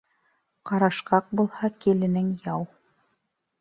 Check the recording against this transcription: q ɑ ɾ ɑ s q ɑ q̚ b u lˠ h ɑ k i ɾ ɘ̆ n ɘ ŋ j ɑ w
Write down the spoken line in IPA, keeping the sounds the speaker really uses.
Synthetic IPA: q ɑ ɾ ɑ ʃ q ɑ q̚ b u lˠ h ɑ k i l ɘ̆ n ɘ ŋ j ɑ w